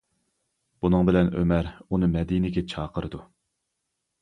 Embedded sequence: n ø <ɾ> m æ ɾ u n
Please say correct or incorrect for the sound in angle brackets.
incorrect: none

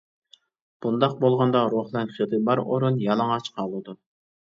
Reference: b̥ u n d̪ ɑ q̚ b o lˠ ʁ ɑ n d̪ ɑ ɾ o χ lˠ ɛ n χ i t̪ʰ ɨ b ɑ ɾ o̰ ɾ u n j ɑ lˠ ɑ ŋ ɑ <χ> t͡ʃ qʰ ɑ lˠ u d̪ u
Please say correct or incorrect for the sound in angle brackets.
incorrect: none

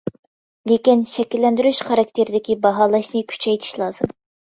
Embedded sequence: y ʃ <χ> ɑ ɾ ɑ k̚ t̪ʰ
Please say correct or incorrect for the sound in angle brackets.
correct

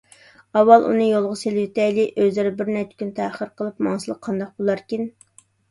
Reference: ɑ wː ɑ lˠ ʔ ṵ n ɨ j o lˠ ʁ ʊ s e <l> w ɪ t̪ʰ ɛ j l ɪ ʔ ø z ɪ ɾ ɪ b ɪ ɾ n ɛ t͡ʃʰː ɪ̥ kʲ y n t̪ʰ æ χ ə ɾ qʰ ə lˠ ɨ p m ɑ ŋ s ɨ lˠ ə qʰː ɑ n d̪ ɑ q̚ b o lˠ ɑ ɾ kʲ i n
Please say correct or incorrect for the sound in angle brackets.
correct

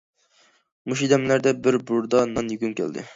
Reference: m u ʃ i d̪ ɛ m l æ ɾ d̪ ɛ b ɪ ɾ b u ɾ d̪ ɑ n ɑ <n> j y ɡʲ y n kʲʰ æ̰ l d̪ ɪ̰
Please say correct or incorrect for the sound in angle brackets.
correct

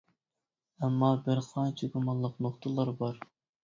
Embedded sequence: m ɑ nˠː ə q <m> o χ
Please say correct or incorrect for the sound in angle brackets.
incorrect: n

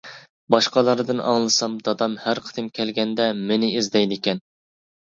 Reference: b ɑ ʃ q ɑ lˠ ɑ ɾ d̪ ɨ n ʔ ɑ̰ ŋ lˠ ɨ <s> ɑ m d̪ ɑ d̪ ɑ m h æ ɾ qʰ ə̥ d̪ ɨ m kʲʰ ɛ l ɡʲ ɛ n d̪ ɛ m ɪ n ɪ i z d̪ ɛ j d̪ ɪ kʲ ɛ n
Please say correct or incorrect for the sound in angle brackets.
correct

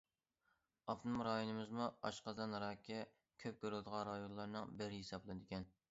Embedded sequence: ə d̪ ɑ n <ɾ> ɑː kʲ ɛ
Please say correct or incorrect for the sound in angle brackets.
correct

